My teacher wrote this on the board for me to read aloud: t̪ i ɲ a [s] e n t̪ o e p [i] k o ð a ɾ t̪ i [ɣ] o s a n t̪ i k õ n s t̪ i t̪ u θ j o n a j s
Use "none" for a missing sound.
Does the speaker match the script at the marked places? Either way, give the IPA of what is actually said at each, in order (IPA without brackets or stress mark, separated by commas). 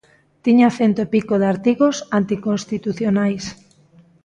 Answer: θ, i, ɣ